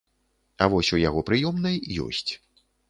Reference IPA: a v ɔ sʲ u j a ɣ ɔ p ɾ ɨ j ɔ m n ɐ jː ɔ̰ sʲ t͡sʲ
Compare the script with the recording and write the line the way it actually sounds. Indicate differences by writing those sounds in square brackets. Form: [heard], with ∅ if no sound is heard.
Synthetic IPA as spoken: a v ɔ sʲ u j a ɣ ɔ p ɾ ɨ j ɔ m n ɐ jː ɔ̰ sʲ t͡sʲ